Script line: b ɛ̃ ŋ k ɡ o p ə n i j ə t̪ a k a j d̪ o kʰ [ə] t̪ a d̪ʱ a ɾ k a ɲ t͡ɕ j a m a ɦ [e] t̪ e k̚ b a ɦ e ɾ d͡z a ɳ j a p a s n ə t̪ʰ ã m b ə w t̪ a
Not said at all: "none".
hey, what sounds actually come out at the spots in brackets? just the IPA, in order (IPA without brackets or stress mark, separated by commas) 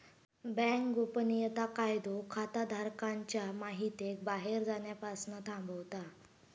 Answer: a, i